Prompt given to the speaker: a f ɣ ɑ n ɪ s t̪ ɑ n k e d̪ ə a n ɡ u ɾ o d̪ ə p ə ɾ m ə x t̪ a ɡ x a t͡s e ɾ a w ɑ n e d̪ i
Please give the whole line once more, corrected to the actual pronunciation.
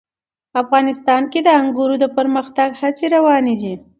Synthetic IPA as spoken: a f ɣ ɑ n ɪ s t̪ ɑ n k e d̪ ə a ŋ ɡ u ɾ o d̪ ə p ə ɾ m ə x t̪ a ɡ h a t͡s e ɾ a w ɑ n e d̪ i